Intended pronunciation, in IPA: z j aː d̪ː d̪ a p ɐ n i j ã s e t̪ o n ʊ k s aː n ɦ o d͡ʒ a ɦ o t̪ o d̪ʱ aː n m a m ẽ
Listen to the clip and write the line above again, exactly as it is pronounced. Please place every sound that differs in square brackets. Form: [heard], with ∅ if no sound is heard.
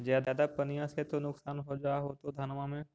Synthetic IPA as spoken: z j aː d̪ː d̪ a p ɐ n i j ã s e t̪ o n ʊ k s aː n ɦ o d͡ʒ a ɦ o t̪ o d̪ʱ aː n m a m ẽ